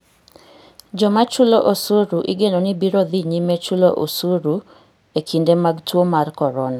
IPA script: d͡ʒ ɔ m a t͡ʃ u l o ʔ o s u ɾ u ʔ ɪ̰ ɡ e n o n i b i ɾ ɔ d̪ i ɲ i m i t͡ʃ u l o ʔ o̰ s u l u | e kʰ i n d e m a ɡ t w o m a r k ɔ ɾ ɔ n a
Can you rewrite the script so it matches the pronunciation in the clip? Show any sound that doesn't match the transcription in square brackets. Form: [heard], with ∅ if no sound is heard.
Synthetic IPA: d͡ʒ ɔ m a t͡ʃ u l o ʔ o s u ɾ u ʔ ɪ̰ ɡ e n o n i b i ɾ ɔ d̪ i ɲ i m [e] t͡ʃ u l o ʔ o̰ s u [ɾ] u | e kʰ i n d e m a ɡ t w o m a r k ɔ ɾ ɔ n a